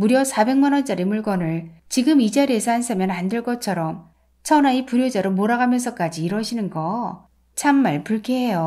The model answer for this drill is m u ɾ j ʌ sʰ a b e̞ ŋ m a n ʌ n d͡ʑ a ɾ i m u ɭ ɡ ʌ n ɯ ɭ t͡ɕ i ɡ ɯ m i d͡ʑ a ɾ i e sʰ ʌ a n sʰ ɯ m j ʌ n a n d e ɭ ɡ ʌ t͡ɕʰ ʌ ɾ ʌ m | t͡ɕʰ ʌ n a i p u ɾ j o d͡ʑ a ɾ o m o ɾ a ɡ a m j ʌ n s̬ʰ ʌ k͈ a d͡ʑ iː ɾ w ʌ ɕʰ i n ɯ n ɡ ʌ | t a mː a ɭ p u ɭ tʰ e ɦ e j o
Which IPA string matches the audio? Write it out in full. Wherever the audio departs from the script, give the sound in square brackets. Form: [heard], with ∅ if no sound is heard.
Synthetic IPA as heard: m u ɾ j ʌ sʰ a b e̞ ŋ m a n ʌ n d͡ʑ a ɾ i m u ɭ ɡ ʌ n ɯ ɭ t͡ɕ i ɡ ɯ m i d͡ʑ a ɾ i e sʰ ʌ a n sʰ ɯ m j ʌ n a n d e ɭ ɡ ʌ t͡ɕʰ ʌ ɾ ʌ m | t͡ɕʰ ʌ n a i p u ɾ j o d͡ʑ a ɾ o m o ɾ a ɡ a m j ʌ n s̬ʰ ʌ k͈ a d͡ʑ iː ɾ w ʌ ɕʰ i n ɯ n ɡ ʌ | [t͡ɕʰ] a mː a ɭ p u ɭ [kʰ] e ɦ e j o